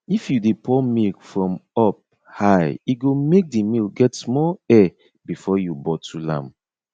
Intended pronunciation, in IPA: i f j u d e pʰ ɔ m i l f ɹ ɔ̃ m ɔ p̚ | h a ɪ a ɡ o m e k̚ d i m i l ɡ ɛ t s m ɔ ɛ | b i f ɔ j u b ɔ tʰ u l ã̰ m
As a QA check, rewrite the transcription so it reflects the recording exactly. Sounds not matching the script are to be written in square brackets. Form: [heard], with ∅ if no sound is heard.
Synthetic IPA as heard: i f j u d e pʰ ɔ m i l f ɹ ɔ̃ m ɔ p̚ | h a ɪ [i] ɡ o m e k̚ d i m i l ɡ ɛ t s m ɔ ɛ | b i f ɔ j u b ɔ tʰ u l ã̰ m